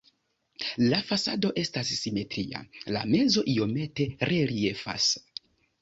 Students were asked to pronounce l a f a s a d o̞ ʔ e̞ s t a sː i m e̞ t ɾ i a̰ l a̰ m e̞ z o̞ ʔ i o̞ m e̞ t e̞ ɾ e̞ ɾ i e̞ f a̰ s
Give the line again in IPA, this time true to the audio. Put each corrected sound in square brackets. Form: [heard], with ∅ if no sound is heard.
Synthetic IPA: l a f a s a d o̞ ʔ e̞ s t a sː i m e̞ t ɾ i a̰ l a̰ m e̞ z o̞ ʔ i o̞ m e̞ t e̞ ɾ e̞ ɾ i e̞ f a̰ s